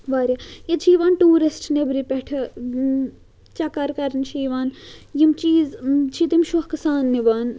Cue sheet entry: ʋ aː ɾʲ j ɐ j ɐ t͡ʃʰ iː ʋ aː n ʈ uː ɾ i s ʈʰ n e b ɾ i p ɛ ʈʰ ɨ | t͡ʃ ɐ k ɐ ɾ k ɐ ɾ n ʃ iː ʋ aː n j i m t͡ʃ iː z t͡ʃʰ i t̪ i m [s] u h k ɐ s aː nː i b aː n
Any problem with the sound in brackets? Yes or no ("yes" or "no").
yes